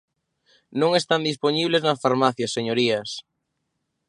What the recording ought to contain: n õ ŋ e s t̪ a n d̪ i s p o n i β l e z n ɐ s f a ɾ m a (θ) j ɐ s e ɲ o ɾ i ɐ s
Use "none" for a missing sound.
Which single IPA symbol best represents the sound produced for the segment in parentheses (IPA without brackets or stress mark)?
θ